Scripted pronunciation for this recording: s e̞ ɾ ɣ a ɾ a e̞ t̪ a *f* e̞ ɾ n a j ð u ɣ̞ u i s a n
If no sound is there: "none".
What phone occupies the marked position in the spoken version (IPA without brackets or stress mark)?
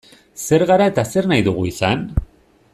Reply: s